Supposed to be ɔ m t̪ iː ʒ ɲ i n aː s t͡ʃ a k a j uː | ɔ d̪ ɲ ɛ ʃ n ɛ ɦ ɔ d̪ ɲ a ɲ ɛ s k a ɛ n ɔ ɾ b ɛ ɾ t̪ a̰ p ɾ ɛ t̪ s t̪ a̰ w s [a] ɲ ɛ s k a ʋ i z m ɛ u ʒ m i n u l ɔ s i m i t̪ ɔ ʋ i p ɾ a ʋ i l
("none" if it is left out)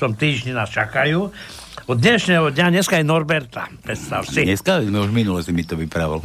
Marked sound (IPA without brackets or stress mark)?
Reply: i